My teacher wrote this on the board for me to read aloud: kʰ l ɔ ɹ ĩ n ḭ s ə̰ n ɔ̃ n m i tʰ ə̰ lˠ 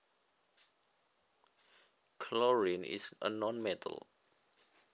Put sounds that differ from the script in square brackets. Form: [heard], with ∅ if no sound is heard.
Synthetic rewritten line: kʰ l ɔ ɹ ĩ n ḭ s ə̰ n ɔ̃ n m [ɛ] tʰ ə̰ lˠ